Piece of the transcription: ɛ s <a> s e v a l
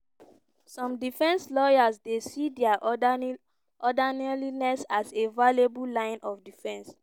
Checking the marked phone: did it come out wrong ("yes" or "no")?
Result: no